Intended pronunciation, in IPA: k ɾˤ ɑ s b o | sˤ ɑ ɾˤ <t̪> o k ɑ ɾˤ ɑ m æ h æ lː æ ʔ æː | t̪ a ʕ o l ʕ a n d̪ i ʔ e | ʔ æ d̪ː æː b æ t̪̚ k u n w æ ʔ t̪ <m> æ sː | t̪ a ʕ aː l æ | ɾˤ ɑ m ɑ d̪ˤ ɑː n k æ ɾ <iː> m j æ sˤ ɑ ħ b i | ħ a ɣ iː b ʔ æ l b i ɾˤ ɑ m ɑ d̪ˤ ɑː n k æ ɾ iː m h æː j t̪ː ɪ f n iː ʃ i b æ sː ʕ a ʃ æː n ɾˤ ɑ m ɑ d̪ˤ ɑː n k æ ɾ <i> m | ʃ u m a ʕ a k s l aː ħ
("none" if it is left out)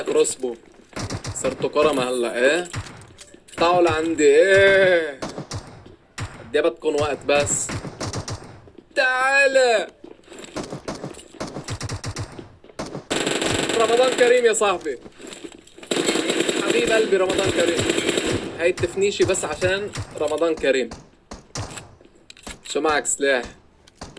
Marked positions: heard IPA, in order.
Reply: t̪, b, iː, iː

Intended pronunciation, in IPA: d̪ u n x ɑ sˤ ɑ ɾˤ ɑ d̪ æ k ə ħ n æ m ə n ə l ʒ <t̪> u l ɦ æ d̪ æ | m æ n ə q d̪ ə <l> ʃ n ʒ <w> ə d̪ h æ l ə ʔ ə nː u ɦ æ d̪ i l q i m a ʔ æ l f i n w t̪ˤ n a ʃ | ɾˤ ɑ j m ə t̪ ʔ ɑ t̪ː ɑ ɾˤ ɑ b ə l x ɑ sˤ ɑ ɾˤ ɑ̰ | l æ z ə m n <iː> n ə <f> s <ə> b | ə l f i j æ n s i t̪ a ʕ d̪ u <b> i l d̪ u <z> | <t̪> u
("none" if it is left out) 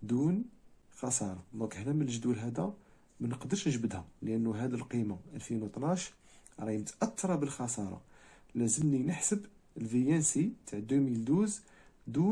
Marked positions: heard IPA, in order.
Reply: d̪, ɾ, b, i, ħ, ə, m, z, d̪

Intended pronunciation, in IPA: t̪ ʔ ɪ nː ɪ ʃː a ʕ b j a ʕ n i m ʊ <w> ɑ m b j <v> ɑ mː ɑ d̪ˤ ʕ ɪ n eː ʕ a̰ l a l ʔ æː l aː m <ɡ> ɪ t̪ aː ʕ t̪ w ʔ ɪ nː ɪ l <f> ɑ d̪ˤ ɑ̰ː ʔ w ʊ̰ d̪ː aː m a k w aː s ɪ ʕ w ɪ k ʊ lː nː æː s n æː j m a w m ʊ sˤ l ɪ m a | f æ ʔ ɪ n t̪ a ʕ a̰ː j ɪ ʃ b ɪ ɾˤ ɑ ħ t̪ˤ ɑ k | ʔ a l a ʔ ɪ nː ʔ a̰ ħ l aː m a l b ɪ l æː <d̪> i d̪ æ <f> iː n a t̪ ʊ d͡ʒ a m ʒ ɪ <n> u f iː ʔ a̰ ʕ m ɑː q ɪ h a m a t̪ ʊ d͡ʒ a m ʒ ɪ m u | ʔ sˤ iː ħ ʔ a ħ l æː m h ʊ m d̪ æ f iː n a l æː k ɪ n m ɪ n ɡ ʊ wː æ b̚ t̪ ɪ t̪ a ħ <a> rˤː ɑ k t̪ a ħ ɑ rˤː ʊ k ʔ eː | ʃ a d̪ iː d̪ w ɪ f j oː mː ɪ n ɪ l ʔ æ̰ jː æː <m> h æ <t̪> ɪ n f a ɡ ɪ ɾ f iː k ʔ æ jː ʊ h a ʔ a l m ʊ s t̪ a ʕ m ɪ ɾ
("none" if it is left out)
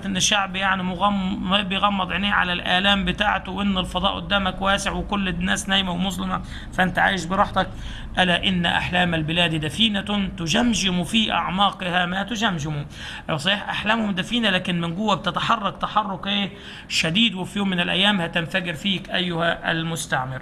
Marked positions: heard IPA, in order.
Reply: ɣ, ɣ, b, f, d̪, f, m, ɑ, m, t̪

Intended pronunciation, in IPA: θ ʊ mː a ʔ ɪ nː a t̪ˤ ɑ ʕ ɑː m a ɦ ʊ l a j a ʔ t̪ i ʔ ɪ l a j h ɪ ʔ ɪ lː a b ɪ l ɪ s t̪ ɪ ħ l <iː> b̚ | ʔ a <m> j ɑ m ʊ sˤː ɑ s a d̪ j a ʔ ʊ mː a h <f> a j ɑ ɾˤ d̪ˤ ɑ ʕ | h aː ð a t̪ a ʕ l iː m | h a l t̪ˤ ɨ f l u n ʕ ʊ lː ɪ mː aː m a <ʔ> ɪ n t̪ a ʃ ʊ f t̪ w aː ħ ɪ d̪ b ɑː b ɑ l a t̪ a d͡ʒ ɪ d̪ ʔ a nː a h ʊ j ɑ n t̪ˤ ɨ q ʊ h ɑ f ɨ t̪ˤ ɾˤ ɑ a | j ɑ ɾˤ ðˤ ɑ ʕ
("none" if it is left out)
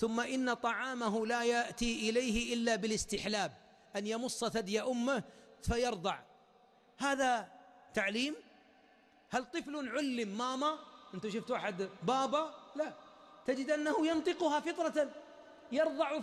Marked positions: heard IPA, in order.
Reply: aː, n, f, ʔ

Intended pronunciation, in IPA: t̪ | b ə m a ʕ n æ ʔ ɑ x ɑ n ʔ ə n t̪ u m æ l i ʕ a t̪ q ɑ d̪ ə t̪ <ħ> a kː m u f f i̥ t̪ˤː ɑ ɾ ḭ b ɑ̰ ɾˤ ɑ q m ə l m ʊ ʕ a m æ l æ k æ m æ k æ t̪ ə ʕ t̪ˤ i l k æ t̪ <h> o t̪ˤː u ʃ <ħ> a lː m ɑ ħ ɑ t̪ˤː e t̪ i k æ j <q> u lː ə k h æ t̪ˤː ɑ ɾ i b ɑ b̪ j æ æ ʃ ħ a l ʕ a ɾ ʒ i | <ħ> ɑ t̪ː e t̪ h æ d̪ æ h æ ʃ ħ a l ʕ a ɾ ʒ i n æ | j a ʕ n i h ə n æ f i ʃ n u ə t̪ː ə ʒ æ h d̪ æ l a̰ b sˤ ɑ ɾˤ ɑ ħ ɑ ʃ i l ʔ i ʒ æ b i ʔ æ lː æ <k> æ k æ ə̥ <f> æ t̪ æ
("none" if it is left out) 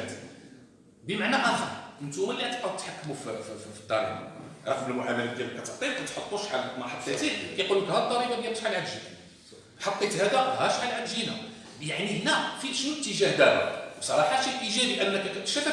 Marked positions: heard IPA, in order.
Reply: ħ, ħ, ħ, q, ħ, k, ʃ

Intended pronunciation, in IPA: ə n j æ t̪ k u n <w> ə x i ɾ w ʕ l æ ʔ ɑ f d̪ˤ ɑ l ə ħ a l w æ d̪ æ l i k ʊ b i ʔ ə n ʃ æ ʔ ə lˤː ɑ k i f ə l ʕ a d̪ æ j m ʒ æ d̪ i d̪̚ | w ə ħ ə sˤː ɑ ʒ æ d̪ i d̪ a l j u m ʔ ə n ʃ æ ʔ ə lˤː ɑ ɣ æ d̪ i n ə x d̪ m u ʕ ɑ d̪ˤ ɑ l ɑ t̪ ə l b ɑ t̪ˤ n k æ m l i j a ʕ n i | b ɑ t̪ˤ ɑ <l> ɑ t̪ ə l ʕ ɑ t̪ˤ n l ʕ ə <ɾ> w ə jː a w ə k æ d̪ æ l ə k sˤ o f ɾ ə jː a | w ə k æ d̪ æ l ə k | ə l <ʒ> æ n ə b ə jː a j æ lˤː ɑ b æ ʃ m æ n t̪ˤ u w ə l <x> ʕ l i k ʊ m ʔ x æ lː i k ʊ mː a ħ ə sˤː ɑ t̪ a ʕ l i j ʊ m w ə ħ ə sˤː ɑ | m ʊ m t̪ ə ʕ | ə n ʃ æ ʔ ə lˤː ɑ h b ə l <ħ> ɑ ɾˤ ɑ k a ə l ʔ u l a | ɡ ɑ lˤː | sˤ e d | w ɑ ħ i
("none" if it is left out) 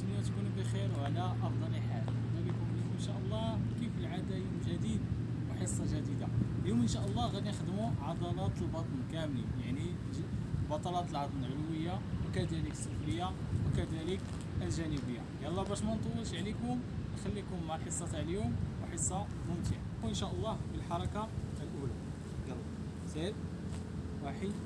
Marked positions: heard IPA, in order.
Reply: b, l, l, ʒ, ʃ, ħ

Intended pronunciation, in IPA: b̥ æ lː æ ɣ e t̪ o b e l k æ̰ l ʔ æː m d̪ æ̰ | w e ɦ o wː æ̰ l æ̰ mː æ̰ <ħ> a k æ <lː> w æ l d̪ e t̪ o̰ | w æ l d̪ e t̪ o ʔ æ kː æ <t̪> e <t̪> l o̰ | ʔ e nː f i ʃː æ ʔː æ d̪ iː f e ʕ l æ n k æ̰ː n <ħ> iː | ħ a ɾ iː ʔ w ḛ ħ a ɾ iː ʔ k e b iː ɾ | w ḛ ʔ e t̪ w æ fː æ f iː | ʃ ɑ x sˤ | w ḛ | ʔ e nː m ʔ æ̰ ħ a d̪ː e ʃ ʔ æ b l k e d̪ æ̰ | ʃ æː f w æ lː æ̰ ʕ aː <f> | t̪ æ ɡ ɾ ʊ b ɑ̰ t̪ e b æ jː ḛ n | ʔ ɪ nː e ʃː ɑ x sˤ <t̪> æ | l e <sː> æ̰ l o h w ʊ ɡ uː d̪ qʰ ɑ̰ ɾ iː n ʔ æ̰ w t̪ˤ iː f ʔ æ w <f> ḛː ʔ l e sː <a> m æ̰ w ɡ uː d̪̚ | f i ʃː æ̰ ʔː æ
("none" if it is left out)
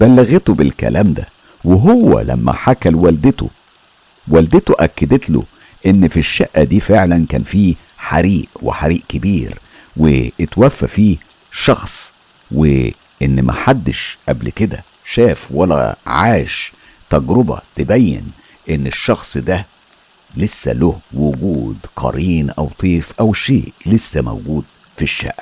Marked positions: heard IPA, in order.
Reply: ħ, l, d̪, t̪, f, ʃ, d̪, sː, ʃ, æ

